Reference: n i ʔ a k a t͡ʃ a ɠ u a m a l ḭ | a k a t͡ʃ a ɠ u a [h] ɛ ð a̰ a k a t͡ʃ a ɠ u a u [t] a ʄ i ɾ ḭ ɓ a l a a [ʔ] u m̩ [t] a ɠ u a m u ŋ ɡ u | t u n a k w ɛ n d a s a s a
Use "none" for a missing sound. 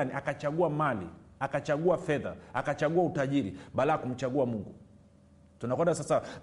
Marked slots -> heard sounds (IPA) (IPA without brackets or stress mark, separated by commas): f, t, k, t͡ʃ